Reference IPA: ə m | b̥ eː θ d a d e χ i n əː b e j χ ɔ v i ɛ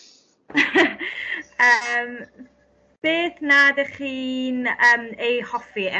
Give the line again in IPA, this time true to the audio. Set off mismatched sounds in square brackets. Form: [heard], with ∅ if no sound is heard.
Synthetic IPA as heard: ə m | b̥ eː θ [n] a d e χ [iː] n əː [m] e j [h] ɔ [f] i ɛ